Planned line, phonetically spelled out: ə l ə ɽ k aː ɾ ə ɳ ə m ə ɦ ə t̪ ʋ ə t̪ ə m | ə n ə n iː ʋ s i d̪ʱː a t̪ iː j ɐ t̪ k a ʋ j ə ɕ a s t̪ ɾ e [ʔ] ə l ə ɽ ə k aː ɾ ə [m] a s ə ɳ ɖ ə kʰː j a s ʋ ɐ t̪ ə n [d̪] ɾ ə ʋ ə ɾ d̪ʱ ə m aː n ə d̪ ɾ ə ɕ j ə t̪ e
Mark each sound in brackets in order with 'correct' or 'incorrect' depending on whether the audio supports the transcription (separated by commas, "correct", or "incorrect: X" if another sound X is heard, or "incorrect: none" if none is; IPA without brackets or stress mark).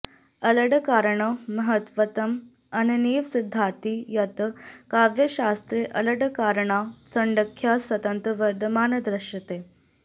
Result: correct, incorrect: ɳ, incorrect: t̪